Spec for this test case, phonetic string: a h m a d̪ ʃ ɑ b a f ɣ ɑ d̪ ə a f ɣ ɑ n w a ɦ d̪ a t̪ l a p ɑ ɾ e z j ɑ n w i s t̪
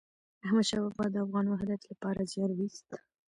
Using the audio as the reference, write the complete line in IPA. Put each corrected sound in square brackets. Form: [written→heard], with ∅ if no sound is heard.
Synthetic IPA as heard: a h m a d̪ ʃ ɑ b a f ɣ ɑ d̪ ə a f ɣ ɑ n w a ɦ d̪ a t̪ l a p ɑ ɾ [e→a] z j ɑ n w i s t̪